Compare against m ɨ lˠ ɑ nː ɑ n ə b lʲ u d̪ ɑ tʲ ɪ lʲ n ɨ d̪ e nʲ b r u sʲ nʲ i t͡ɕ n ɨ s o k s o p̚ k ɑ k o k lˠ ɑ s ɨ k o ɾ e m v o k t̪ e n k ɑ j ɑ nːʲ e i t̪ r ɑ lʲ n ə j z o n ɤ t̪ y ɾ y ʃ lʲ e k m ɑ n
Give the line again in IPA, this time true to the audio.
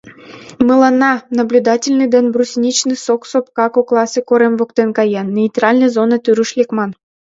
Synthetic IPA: m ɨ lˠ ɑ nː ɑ n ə b lʲ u d̪ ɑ tʲ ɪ lʲ n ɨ d̪ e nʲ b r u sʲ nʲ i t͡ɕ n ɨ s o k s o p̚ k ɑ k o k lˠ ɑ s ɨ k o ɾ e m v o k t̪ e n k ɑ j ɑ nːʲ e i t̪ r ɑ lʲ n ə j z o n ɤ t̪ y ɾ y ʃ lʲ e k m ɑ n